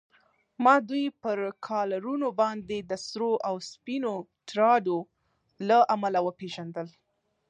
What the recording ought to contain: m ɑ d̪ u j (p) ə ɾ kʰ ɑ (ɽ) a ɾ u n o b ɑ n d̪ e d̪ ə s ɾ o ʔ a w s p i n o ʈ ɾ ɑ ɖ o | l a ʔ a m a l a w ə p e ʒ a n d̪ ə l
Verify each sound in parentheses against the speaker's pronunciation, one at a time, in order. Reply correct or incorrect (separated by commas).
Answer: correct, incorrect